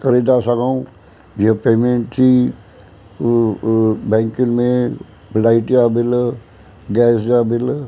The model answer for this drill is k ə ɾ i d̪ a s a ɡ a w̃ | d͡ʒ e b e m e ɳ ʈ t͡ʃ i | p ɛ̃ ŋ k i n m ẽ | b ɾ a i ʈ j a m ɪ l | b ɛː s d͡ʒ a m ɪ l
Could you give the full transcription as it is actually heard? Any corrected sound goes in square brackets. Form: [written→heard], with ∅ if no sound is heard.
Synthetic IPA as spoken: k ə ɾ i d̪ a s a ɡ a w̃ | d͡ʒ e [b→p] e m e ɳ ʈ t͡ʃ i | [p→b] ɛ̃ ŋ k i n m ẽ | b [ɾ→l] a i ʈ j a [m→b] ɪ l | [b→ɡ] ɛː s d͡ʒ a [m→b] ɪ l